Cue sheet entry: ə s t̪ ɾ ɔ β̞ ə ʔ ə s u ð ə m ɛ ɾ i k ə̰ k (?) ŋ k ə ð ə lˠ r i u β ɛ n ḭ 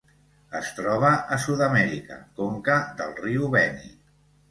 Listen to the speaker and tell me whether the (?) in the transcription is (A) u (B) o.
B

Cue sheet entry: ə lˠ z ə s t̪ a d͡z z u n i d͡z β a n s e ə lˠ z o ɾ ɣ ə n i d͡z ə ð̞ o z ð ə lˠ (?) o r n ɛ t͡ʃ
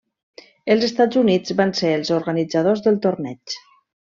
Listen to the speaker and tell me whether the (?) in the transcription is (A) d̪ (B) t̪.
B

